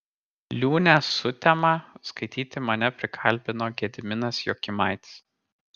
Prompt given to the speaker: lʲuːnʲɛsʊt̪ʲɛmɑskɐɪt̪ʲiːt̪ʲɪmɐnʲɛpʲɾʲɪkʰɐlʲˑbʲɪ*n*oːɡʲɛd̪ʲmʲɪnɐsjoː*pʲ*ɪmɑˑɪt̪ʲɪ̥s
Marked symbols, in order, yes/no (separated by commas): yes, no